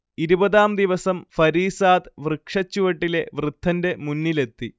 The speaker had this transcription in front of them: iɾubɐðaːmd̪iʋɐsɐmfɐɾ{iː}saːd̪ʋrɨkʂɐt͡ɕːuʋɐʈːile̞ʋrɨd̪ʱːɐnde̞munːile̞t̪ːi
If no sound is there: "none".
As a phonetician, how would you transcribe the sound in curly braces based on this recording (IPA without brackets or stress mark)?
iː